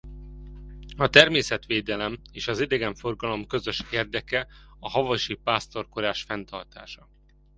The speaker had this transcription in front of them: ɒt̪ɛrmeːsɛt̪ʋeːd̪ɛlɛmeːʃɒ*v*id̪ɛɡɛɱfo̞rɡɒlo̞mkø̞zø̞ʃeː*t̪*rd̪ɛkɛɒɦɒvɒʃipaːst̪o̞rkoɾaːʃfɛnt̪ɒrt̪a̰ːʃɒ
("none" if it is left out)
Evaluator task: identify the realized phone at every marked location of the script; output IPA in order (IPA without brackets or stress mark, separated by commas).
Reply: z, none